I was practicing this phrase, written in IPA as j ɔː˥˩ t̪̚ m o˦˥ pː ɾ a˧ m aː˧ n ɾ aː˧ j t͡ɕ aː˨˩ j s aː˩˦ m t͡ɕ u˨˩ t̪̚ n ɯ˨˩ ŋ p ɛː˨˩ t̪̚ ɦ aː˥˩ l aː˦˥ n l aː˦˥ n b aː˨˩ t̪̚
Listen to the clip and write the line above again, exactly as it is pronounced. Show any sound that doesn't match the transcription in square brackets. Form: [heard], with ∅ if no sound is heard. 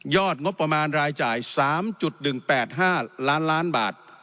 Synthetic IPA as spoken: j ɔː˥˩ t̪̚ [ŋ] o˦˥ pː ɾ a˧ m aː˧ n ɾ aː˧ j t͡ɕ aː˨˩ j s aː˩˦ m t͡ɕ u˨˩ t̪̚ n ɯ˨˩ ŋ p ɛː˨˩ t̪̚ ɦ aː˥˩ l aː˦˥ n l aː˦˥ n b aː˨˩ t̪̚